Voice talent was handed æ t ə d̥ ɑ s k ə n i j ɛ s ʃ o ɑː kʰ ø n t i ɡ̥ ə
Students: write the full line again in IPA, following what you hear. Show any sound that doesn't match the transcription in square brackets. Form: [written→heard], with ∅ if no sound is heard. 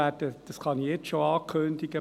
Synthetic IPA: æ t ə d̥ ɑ s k [ə→ɑ] n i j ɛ [s→t͡s] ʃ o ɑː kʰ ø n [t→d] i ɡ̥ ə